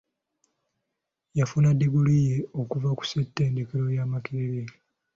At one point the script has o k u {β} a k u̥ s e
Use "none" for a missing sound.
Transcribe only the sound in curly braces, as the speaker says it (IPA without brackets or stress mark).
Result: v